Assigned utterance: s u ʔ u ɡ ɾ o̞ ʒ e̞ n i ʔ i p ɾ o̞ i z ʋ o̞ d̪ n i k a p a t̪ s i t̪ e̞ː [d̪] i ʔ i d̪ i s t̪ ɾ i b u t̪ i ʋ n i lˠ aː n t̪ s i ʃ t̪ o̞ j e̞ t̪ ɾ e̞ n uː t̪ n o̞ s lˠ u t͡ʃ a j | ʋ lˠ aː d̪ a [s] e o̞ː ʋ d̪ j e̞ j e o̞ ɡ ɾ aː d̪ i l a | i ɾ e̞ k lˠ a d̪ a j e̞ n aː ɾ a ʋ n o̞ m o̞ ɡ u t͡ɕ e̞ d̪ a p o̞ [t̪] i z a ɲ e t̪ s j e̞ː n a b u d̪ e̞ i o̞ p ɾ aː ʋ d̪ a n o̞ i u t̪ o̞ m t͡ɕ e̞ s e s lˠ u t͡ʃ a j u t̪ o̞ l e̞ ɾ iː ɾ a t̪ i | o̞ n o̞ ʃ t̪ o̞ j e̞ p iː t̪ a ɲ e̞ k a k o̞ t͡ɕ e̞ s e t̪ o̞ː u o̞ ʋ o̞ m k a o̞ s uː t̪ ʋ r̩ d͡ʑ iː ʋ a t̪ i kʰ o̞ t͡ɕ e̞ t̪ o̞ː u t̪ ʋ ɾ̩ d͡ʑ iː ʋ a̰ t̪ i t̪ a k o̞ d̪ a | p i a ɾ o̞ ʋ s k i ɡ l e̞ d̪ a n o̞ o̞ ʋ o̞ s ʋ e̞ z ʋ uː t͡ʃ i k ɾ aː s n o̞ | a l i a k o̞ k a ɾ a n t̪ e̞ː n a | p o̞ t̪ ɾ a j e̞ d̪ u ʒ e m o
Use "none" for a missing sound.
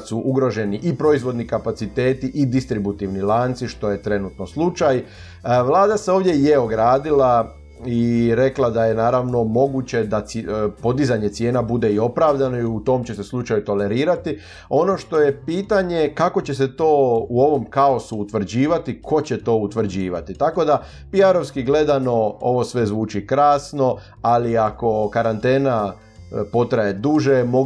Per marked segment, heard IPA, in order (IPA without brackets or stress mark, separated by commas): t̪, s, d̪